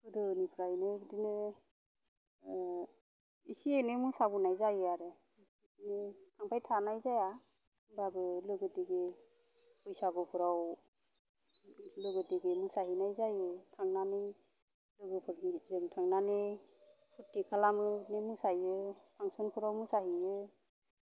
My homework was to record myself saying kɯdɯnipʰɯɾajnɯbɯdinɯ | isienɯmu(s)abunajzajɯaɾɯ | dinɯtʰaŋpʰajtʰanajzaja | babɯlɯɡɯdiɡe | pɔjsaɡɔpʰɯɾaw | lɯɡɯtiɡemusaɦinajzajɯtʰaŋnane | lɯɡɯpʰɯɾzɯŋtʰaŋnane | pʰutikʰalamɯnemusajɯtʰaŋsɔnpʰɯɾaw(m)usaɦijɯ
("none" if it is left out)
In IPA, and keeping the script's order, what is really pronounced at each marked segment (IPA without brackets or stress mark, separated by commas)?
s, m